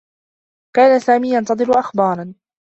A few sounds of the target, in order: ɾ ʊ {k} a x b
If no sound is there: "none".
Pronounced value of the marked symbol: ʔ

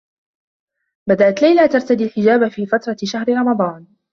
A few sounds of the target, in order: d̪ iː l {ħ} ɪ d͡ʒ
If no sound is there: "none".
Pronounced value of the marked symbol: ħ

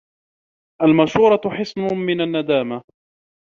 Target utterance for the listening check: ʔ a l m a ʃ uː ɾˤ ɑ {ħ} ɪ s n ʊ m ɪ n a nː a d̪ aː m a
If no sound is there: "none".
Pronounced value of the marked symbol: ħ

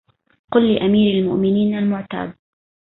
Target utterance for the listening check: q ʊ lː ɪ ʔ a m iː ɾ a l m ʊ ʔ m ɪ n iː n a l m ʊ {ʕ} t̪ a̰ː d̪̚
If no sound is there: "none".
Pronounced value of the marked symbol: ʕ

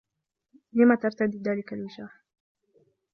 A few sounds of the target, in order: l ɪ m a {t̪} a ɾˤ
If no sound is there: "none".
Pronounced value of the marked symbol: t̪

